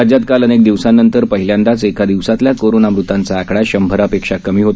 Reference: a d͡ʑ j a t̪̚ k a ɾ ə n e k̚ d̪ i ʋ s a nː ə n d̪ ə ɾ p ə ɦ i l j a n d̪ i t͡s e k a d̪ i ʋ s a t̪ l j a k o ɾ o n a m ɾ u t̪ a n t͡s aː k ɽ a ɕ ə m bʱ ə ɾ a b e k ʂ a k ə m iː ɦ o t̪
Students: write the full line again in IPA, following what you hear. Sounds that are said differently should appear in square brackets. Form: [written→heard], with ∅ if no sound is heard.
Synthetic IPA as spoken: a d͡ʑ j a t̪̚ k a [ɾ→l] ə n e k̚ d̪ i ʋ s a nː ə n [d̪→t̪] ə ɾ p ə ɦ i l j a n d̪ [i→a] t͡s e k a d̪ i ʋ s a t̪ l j a k o ɾ o n a m ɾ u t̪ a n t͡s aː k ɽ a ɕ ə m bʱ ə ɾ a [b→p] e k ʂ a k ə m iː ɦ o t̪

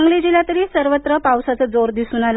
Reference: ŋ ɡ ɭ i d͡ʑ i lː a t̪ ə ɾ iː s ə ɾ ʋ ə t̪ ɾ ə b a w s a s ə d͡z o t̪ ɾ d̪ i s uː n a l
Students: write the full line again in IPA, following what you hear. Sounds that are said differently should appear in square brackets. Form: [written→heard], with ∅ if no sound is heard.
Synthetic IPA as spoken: ŋ ɡ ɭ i d͡ʑ i [lː→l] a t̪ ə ɾ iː s ə ɾ ʋ ə t̪ ɾ ə [b→p] a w s a [s→t͡s] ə d͡z o [t̪→∅] ɾ d̪ i s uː n a l

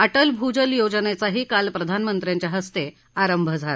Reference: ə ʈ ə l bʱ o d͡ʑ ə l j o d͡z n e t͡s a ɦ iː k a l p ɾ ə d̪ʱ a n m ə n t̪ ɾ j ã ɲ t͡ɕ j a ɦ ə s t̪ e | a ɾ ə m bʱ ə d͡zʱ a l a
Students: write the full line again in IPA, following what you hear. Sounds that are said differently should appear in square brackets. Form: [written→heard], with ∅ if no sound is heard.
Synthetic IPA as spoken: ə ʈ ə l bʱ [o→u] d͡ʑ ə l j o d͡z n e t͡s a ɦ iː k a l p ɾ ə d̪ʱ a n m ə n t̪ ɾ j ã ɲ t͡ɕ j a ɦ ə s t̪ e | a ɾ ə m bʱ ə d͡zʱ a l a

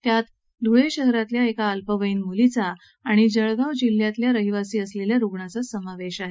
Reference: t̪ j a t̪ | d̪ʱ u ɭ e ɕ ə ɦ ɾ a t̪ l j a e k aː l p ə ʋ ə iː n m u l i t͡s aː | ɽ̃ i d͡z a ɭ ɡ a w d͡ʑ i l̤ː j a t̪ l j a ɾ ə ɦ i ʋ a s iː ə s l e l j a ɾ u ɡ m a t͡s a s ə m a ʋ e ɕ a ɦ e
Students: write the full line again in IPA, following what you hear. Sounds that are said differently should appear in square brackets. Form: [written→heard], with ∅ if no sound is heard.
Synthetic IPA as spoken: t̪ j a t̪ | d̪ʱ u ɭ e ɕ ə ɦ ɾ a t̪ l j a e k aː l p ə ʋ ə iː n m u l i t͡s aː | ɽ̃ i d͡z [a→ə] ɭ ɡ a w d͡ʑ i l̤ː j a t̪ l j a ɾ ə ɦ i ʋ a s iː ə s l e l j a ɾ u ɡ [m→ɳ] a t͡s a s ə m a ʋ e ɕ a ɦ e

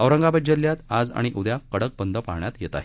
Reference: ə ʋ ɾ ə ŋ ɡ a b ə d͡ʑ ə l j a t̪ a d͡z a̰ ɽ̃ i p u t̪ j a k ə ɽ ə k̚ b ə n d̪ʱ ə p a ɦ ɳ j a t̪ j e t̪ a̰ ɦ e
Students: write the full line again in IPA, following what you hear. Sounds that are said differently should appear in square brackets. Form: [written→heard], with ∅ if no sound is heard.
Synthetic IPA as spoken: ə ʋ ɾ ə ŋ ɡ a b ə d͡ʑ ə l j a t̪ a d͡z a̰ ɽ̃ i [p→ʔ] u [t̪→d̪] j a k ə ɽ ə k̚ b ə n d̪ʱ ə p a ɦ ɳ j a t̪ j e t̪ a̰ ɦ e

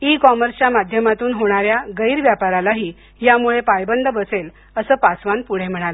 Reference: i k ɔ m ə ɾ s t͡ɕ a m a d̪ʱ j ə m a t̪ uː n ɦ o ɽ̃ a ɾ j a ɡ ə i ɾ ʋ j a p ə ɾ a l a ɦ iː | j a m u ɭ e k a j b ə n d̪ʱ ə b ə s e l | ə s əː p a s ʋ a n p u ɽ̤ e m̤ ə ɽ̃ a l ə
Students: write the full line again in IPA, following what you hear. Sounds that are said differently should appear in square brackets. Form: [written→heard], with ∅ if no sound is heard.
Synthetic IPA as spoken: i k ɔ m ə ɾ s t͡ɕ a m a d̪ʱ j ə m a t̪ uː n ɦ o ɽ̃ a ɾ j a ɡ ə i ɾ ʋ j a p [ə→a] ɾ a l a ɦ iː | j a m u ɭ e [k→p] a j b ə n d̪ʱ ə b ə s e l | ə s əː p a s ʋ a n p u ɽ̤ e m̤ ə ɽ̃ a l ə

